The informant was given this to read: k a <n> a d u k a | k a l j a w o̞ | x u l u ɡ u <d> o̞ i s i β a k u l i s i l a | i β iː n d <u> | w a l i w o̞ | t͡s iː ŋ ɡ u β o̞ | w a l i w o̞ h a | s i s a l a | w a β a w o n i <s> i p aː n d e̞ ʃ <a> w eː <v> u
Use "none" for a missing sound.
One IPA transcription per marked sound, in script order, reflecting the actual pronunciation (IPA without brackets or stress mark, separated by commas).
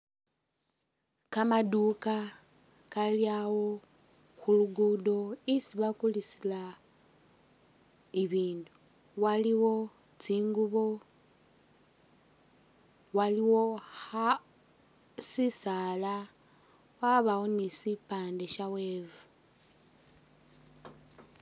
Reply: m, d, u, s, a, v